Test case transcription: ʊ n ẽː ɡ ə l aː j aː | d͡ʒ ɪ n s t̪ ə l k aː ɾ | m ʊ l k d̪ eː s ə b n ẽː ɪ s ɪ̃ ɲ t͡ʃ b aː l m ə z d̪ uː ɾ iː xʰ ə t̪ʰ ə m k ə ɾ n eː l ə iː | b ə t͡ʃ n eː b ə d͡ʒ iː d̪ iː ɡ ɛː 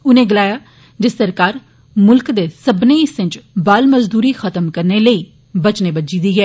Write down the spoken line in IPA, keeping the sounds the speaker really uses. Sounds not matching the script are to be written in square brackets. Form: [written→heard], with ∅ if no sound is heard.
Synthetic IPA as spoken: ʊ n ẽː ɡ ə l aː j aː | d͡ʒ ɪ [n→∅] s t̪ ə [l→ɾ] k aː ɾ | m ʊ l k d̪ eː s ə b n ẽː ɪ s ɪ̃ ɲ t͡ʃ b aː l m ə z d̪ uː ɾ iː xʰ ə [t̪ʰ→t̪] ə m k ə ɾ n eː l ə iː | b ə t͡ʃ n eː b ə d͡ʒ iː d̪ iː ɡ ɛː